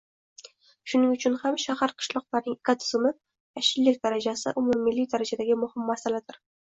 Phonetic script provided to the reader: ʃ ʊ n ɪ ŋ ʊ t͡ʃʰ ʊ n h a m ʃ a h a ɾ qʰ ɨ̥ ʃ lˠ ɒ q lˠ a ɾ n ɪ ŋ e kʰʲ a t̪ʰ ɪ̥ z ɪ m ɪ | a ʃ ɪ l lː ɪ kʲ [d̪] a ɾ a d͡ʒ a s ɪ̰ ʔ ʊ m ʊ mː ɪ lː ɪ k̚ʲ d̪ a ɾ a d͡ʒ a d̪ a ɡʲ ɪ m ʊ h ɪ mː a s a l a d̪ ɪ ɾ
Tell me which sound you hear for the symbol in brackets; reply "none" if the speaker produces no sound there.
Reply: d̪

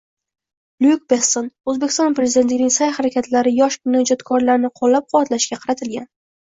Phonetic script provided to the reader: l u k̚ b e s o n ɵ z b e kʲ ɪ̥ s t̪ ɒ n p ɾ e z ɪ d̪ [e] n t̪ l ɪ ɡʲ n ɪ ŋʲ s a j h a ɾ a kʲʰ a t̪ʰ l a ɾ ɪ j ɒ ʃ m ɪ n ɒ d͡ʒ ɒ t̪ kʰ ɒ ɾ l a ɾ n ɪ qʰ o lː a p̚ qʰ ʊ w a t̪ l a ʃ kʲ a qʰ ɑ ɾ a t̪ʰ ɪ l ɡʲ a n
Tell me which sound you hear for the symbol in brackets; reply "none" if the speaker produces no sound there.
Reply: e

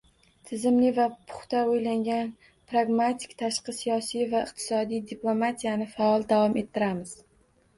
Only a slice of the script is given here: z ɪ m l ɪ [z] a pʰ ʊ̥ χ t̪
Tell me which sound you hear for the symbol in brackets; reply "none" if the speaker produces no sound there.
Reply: v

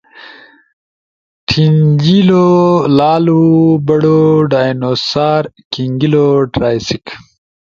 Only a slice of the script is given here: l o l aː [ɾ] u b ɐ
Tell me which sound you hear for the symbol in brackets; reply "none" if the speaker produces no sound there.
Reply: l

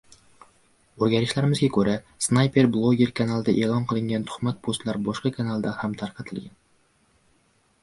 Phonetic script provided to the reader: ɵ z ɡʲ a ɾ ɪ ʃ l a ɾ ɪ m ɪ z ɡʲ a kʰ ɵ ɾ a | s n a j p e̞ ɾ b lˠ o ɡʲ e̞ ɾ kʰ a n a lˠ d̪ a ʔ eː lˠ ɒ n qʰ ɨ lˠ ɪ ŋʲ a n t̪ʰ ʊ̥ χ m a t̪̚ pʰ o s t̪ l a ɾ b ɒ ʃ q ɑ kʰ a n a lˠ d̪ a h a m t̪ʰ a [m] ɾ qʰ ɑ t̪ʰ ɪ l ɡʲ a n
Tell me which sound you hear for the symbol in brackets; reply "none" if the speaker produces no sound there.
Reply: none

